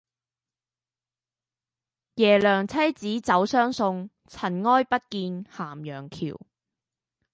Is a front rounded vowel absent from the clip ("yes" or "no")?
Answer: no